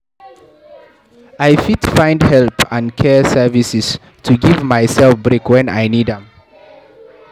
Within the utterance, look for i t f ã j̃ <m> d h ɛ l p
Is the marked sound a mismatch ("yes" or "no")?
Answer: yes